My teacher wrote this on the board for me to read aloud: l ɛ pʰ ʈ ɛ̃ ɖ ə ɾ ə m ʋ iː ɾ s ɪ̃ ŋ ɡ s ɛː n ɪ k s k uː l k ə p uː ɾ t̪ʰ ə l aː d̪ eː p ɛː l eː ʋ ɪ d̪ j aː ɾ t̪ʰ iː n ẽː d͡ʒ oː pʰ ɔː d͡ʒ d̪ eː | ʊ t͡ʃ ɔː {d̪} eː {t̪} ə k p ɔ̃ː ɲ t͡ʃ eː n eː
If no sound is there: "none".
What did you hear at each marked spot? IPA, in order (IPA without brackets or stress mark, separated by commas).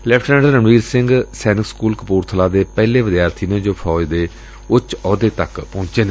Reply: d̪, t̪